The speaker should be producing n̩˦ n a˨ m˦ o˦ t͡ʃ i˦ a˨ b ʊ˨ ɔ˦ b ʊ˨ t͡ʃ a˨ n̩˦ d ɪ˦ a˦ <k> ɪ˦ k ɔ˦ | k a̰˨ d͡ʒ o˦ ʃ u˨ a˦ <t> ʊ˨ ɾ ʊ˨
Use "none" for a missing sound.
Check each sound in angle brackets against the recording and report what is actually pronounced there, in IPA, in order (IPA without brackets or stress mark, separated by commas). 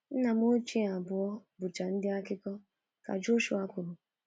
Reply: k, k